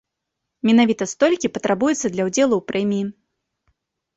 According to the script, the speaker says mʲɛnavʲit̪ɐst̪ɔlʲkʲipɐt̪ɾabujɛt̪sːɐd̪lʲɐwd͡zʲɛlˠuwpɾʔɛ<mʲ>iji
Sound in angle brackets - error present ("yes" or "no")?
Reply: no